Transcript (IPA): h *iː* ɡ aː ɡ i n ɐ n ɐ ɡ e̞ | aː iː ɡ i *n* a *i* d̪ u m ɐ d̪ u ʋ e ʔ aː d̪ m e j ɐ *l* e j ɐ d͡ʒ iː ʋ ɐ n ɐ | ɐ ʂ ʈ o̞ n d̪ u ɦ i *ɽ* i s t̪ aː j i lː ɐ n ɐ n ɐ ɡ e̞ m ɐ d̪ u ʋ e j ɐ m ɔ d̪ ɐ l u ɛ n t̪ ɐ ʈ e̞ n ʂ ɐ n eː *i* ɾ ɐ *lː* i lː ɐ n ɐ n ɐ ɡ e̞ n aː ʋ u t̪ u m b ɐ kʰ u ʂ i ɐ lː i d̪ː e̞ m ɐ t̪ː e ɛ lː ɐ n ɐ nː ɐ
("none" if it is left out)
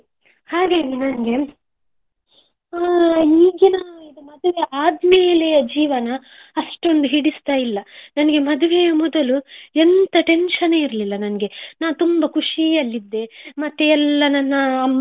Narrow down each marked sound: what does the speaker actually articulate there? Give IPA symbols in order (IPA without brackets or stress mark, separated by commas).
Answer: aː, n, i, l, ɽ, i, l